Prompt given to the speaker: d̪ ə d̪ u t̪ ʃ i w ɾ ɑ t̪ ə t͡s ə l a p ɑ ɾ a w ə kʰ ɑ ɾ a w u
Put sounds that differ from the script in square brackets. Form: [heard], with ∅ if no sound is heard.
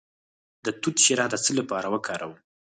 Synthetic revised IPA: d̪ ə [t̪] u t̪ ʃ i [∅] ɾ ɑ [d̪] ə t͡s ə l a p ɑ ɾ a w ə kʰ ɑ ɾ a w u